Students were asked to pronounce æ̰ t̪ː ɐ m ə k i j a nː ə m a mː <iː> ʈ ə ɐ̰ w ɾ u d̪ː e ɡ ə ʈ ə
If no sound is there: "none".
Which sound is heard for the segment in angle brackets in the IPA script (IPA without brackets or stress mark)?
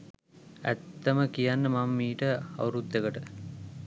iː